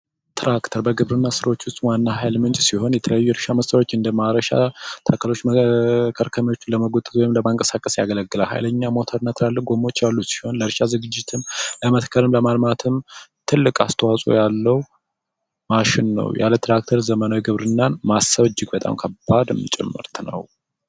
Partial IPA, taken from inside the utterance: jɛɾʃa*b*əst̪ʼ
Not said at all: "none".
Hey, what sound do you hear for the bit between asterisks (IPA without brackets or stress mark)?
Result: m